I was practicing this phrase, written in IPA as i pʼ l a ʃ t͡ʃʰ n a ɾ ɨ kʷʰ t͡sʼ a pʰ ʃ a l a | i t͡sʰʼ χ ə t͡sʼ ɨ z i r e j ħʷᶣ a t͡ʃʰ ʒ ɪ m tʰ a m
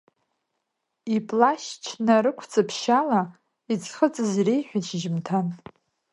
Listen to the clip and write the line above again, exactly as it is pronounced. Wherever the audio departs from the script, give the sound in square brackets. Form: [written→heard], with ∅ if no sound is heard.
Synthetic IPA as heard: i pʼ l a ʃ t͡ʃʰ n a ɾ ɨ kʷʰ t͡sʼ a pʰ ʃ a l a | i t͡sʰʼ χ ə t͡sʼ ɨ z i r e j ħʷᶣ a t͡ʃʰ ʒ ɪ m tʰ a [m→n]